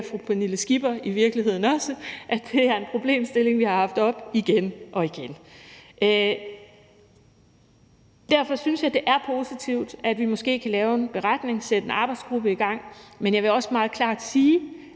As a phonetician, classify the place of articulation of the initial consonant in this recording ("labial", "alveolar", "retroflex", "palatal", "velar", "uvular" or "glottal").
labial